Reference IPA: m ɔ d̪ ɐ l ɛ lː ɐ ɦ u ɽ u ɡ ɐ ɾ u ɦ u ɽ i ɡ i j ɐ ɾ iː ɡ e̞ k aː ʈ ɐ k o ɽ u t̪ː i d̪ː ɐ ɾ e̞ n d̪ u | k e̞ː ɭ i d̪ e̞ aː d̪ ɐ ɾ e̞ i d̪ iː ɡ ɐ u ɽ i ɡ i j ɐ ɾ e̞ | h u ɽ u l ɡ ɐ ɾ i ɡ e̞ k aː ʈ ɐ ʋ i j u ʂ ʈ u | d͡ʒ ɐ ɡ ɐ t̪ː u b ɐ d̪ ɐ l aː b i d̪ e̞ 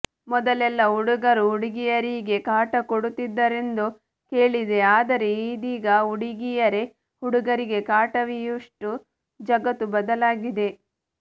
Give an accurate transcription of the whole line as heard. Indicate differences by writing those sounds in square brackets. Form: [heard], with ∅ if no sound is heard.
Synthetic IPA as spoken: m ɔ d̪ ɐ l ɛ lː ɐ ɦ u ɽ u ɡ ɐ ɾ u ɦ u ɽ i ɡ i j ɐ ɾ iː ɡ e̞ k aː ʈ ɐ k o ɽ u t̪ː i d̪ː ɐ ɾ e̞ n d̪ u | k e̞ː ɭ i d̪ e̞ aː d̪ ɐ ɾ e̞ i d̪ iː ɡ ɐ u ɽ i ɡ i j ɐ ɾ e̞ | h u ɽ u [∅] ɡ ɐ ɾ i ɡ e̞ k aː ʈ ɐ ʋ i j u ʂ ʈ u | d͡ʒ ɐ ɡ ɐ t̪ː u b ɐ d̪ ɐ l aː [ɡ] i d̪ e̞